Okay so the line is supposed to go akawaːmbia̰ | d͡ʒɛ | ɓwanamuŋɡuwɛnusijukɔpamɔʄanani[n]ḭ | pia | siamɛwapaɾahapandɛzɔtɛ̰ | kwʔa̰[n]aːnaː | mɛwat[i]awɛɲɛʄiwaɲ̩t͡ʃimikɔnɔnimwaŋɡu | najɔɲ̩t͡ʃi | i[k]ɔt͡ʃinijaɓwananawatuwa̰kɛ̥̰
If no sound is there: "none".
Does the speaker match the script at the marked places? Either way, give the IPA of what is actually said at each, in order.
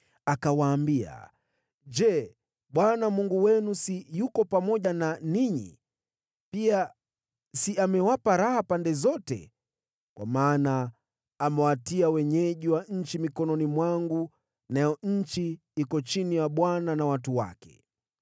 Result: ɲ, m, i, k

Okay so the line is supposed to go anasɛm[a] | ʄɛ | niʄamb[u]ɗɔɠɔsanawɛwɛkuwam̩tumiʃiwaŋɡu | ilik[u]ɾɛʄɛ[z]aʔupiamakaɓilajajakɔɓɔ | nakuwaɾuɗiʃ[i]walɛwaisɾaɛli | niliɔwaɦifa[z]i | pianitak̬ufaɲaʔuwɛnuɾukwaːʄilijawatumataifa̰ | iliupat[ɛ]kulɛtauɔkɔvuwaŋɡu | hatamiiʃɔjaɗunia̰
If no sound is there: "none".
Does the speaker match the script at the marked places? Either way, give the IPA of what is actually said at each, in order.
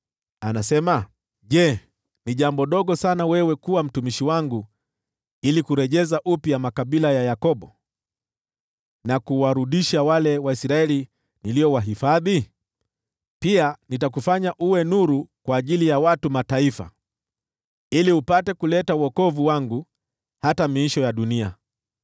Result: a, ɔ, u, z, a, ð, ɛ

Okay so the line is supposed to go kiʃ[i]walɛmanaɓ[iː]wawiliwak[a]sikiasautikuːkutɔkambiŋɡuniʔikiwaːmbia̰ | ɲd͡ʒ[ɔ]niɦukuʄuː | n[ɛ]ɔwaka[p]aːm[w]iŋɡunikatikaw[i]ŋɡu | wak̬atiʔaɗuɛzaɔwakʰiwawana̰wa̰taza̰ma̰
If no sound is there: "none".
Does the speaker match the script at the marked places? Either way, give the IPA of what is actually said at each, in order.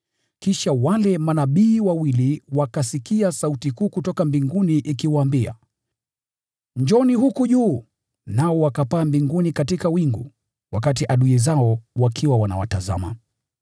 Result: a, iː, a, ɔ, a, p, b, i

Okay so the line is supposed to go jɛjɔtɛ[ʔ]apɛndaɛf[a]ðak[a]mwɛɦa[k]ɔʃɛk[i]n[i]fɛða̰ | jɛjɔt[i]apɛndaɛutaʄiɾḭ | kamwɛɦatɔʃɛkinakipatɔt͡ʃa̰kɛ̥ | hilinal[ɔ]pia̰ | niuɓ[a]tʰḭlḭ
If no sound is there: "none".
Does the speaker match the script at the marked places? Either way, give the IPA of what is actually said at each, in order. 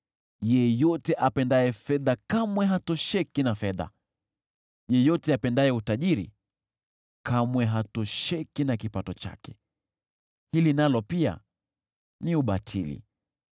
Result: ʔ, ɛ, a, t, i, a, ɛ, ɔ, a

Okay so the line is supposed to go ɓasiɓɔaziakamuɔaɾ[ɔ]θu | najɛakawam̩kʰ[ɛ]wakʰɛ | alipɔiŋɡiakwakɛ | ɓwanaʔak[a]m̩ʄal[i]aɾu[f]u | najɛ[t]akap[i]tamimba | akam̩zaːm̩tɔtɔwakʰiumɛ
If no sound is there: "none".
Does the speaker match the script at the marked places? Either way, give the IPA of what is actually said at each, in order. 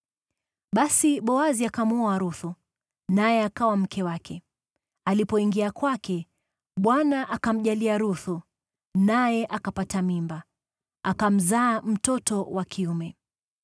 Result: u, ɛ, a, i, θ, ʔ, a

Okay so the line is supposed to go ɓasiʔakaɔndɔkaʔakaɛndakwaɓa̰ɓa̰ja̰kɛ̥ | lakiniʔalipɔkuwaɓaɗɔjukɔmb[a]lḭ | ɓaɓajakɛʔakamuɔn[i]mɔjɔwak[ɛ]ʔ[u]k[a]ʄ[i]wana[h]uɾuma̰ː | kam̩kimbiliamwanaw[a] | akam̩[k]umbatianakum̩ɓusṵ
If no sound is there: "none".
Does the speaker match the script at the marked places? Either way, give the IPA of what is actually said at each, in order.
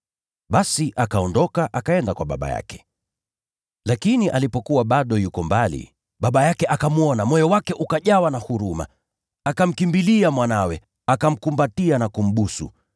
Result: a, a, ɛ, u, a, a, h, ɛ, k

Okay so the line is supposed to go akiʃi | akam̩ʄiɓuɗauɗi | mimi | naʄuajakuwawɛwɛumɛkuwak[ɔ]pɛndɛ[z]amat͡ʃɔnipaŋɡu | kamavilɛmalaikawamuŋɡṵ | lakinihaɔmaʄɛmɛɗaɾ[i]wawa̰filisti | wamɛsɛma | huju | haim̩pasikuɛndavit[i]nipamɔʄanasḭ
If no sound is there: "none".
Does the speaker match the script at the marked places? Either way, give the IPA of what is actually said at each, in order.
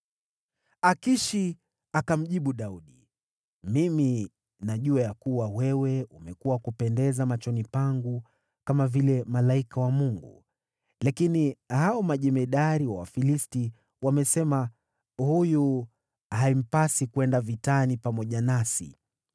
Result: u, z, i, a

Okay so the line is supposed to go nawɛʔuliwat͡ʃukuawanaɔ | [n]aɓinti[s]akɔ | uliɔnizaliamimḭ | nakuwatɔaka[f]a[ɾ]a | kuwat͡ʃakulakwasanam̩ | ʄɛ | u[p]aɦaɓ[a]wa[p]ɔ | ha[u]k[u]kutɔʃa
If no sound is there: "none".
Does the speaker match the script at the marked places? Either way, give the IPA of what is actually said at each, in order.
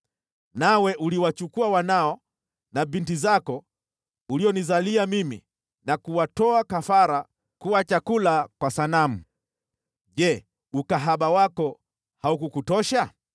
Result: n, z, f, ɾ, k, a, k, u, u

